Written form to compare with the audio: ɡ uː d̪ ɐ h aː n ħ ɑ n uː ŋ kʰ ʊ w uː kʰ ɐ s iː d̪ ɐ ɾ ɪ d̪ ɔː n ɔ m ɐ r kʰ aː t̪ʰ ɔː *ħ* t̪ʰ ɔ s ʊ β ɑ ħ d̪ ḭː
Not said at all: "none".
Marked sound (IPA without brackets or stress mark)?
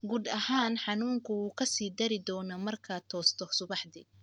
s